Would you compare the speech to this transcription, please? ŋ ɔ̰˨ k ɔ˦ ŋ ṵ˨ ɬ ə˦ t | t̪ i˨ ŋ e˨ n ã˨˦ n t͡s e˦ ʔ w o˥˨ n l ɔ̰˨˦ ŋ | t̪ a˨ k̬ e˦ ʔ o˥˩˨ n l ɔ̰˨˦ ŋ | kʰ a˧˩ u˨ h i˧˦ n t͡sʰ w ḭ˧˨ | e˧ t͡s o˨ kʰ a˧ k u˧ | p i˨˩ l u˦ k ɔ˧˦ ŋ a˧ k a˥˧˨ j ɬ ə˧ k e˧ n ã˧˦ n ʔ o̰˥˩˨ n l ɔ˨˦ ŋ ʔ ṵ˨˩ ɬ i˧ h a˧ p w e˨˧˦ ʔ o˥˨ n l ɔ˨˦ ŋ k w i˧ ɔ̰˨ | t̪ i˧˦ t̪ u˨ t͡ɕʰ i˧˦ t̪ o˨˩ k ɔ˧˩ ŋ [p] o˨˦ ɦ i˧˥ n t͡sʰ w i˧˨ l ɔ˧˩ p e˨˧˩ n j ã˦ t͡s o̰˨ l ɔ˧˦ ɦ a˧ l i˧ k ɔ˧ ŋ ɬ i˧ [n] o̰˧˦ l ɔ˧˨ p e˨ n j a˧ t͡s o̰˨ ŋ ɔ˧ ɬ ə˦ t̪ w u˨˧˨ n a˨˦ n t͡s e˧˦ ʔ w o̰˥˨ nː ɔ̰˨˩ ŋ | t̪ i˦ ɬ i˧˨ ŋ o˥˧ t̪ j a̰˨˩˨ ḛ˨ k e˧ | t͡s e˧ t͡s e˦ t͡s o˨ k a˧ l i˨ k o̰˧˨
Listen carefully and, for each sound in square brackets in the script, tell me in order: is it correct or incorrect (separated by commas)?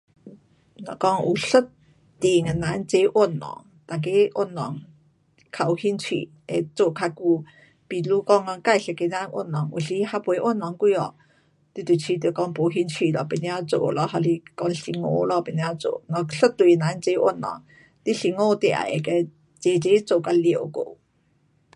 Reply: correct, incorrect